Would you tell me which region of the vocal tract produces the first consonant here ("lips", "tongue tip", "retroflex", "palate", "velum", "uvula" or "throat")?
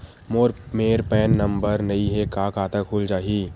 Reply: lips